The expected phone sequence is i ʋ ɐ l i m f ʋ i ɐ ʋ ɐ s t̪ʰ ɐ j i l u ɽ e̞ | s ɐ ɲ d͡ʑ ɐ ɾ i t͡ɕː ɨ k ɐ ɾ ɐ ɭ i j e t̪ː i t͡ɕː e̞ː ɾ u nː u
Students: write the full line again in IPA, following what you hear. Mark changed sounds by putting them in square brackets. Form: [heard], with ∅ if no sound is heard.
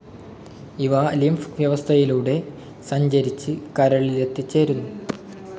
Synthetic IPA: i ʋ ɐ l i m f ʋ [j] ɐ ʋ ɐ s t̪ʰ ɐ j i l [uː] ɽ e̞ | s ɐ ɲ d͡ʑ ɐ ɾ i t͡ɕː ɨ k ɐ ɾ ɐ ɭ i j e t̪ː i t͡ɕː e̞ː ɾ u nː u